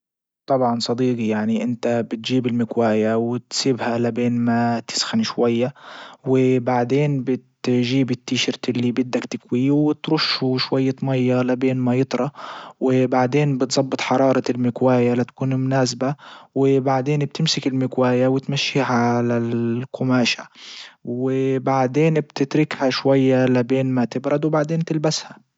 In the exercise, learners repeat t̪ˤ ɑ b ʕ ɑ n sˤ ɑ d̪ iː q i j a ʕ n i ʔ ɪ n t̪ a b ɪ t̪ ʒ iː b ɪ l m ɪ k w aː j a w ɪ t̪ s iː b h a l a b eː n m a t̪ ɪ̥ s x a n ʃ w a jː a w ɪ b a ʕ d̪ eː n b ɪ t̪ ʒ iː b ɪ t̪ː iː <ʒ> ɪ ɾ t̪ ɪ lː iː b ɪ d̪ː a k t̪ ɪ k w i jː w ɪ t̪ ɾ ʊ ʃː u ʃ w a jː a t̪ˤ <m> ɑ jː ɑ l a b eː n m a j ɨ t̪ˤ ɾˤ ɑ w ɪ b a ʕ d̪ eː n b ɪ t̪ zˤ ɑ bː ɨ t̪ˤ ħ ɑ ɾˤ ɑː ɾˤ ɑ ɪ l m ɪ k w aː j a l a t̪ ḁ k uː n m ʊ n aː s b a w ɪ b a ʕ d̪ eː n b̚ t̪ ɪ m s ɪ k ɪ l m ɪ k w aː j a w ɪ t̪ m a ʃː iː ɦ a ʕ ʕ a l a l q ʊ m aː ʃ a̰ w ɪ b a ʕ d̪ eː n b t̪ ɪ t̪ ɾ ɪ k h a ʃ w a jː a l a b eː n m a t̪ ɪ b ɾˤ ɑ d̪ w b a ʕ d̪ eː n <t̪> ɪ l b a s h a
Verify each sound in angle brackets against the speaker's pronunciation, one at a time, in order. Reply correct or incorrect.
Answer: incorrect: ʃ, correct, correct

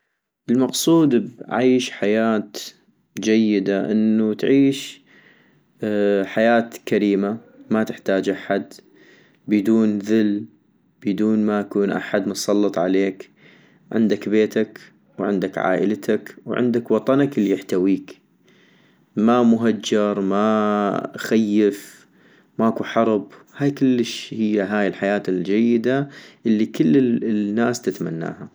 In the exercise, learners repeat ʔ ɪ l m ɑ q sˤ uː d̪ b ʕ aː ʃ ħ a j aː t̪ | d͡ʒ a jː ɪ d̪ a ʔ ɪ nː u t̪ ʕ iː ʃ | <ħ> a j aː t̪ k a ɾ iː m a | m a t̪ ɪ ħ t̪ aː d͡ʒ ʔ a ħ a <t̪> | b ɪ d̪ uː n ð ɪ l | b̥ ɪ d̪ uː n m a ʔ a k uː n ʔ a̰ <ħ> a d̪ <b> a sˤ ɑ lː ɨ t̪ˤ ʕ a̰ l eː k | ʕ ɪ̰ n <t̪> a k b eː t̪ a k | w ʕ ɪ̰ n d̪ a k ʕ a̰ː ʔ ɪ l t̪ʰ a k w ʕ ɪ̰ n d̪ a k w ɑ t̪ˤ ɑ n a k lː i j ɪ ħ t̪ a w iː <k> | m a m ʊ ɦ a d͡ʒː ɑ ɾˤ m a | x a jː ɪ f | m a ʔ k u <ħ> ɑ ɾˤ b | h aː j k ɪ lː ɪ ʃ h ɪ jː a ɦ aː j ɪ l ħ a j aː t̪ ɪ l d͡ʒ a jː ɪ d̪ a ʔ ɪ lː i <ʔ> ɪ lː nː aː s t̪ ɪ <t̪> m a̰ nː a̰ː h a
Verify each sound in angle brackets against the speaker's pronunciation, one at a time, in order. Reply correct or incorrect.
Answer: correct, incorrect: d̪, correct, incorrect: m, incorrect: d̪, correct, correct, incorrect: k, correct

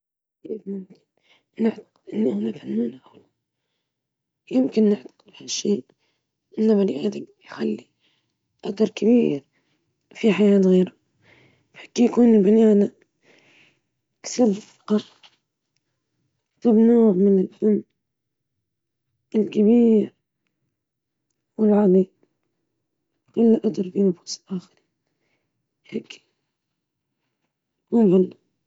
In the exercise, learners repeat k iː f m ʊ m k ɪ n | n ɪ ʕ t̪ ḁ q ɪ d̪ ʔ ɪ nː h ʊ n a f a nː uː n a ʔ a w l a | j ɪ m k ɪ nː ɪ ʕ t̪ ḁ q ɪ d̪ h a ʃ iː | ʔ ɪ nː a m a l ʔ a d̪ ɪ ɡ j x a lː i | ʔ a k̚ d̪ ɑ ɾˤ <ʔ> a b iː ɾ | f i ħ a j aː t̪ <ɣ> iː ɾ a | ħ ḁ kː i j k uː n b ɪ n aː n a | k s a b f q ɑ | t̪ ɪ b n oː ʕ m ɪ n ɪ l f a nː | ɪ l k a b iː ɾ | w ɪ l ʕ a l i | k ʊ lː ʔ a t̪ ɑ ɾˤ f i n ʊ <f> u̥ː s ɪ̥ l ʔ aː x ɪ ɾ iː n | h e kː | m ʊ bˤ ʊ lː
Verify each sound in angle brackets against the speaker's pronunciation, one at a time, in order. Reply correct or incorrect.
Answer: incorrect: k, correct, correct

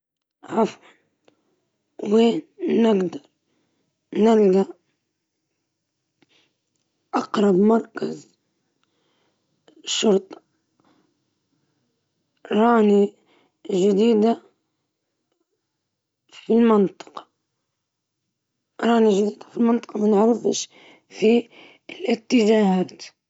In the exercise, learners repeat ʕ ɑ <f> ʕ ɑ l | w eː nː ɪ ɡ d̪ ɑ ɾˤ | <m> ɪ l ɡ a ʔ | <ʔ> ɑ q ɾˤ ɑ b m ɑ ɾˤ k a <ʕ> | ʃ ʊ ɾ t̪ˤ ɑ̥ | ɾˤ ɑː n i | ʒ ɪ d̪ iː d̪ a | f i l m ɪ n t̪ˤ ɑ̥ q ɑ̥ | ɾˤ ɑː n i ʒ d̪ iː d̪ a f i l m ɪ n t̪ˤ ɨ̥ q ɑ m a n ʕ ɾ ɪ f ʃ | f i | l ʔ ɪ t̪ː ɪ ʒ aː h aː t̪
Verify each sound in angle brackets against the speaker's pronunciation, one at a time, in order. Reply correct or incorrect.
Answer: correct, incorrect: n, correct, incorrect: z

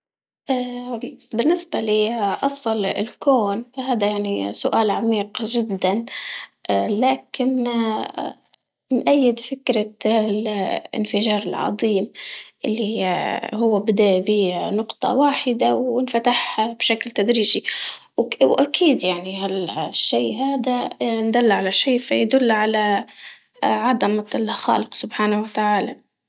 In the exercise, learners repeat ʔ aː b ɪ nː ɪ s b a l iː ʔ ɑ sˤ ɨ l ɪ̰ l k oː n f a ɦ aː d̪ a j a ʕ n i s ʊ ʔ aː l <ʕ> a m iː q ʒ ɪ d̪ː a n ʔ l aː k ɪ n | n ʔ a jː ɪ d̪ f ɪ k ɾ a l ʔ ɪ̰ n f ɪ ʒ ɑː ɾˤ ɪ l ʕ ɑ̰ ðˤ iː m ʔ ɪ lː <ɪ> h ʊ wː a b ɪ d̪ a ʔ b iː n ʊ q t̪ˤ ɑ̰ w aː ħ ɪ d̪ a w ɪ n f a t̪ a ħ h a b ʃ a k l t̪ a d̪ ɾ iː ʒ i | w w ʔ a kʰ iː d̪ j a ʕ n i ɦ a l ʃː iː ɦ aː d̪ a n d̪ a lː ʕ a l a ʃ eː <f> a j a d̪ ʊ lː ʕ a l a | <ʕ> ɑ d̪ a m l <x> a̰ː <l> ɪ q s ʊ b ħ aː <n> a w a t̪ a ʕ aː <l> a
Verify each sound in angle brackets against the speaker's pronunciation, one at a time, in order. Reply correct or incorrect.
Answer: correct, incorrect: i, correct, correct, correct, correct, correct, correct

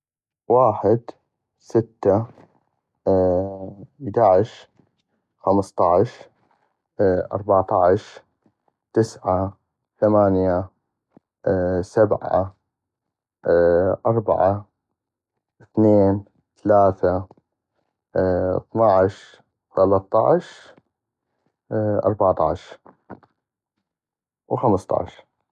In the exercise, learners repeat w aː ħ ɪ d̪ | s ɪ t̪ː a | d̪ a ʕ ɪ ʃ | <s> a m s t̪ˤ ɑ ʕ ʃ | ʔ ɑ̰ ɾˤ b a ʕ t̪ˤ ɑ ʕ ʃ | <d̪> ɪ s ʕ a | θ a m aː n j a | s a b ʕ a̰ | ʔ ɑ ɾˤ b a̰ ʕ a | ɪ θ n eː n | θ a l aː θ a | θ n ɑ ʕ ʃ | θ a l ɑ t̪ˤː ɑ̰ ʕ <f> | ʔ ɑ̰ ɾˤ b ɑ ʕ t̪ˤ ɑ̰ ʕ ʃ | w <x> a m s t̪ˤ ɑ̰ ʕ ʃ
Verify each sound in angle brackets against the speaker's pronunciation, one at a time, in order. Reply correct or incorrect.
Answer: incorrect: x, incorrect: t̪, incorrect: ʃ, correct

